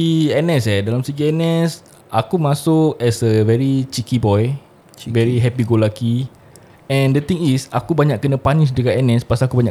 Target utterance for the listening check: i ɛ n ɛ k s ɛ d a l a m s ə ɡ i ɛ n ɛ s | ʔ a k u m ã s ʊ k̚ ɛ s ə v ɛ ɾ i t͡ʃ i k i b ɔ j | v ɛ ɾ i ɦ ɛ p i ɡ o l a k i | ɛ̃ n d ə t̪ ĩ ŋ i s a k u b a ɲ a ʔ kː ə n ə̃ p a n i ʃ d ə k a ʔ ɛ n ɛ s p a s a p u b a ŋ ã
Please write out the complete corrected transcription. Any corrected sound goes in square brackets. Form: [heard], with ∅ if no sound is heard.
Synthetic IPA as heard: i ɛ n ɛ [∅] s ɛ d a l a m s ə ɡ i ɛ n ɛ s | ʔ a k u m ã s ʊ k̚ ɛ s ə v ɛ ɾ i t͡ʃ i k i b ɔ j | v ɛ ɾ i ɦ ɛ p i ɡ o l a k i | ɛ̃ n d ə t̪ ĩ ŋ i s a k u b a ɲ a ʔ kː ə n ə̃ p a n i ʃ d ə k a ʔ ɛ n ɛ s p a s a [k] u b a [ɲ] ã